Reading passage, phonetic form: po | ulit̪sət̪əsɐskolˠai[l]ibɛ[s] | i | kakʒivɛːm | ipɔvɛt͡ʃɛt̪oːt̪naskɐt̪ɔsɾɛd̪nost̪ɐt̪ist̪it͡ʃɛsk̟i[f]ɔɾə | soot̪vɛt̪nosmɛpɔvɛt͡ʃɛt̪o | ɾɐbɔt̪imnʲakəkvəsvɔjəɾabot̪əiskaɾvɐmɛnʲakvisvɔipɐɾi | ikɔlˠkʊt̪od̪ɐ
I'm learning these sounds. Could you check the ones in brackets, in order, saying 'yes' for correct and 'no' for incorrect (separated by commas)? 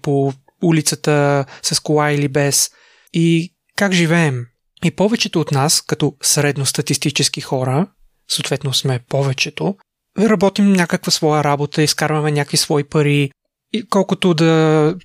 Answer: yes, yes, no